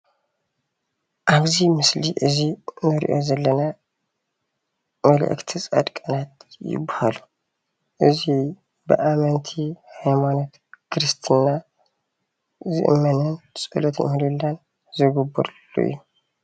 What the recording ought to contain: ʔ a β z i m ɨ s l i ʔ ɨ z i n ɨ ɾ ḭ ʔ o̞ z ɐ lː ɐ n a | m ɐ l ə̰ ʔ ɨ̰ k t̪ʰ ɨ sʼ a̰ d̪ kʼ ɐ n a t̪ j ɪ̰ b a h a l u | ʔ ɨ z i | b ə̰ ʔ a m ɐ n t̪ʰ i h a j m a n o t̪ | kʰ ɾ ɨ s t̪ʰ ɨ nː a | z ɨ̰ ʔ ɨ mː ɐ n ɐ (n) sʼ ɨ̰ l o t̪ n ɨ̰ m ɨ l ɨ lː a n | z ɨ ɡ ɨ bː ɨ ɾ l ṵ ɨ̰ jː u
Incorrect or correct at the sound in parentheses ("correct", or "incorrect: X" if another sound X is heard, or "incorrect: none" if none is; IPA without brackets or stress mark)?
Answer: correct